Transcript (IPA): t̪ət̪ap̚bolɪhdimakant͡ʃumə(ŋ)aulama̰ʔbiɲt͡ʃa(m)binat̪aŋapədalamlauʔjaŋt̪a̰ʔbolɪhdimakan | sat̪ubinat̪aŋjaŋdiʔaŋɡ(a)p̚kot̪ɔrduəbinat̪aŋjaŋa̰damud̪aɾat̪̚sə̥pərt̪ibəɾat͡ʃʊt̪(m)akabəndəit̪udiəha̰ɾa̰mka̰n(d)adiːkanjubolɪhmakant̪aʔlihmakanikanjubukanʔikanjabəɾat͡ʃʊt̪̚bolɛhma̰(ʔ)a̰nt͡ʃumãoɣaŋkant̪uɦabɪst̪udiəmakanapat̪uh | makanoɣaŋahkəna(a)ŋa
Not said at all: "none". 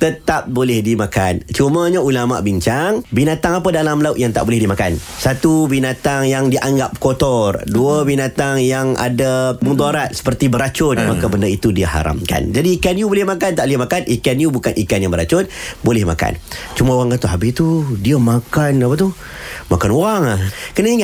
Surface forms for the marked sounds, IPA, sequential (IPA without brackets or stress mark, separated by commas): ɲ, ŋ, a, m, d͡ʒ, k, i